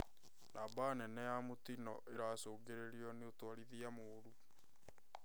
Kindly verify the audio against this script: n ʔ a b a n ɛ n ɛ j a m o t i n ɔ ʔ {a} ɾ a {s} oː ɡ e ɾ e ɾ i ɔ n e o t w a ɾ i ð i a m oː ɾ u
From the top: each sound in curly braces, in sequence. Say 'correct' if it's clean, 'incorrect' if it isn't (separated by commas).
incorrect, correct